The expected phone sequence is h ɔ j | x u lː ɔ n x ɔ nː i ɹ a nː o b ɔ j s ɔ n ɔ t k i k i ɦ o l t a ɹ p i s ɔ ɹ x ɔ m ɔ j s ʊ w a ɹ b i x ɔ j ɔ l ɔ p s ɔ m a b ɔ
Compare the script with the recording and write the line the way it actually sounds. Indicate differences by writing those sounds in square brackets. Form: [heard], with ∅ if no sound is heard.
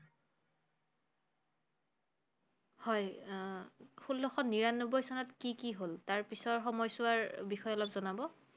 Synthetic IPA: h ɔ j | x u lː ɔ [∅] x ɔ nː i ɹ a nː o b ɔ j s ɔ n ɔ t k i k i ɦ o l t a ɹ p i s ɔ ɹ x ɔ m ɔ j s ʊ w a ɹ b i x ɔ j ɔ l ɔ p [z] ɔ [n] a b ɔ